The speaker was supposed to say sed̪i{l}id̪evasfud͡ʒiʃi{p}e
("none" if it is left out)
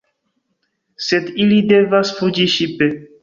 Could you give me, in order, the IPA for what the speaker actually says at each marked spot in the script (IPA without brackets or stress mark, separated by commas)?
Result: l, p